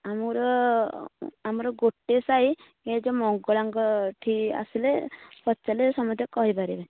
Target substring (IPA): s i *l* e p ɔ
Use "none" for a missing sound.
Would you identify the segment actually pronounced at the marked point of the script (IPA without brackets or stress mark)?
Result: l